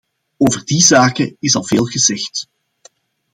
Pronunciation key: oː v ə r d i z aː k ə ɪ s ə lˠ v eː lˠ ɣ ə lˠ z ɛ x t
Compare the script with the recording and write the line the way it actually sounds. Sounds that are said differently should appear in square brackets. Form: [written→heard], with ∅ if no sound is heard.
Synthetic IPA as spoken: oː v ə r d i z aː k ə ɪ s [ə→ɑ] lˠ v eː lˠ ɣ ə [lˠ→∅] z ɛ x t